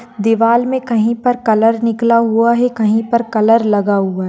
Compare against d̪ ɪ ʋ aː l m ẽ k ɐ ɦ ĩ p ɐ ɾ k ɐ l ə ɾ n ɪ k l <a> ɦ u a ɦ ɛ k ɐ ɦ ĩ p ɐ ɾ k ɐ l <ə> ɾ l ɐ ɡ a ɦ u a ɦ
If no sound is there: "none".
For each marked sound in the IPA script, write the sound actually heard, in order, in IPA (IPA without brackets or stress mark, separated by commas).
a, ə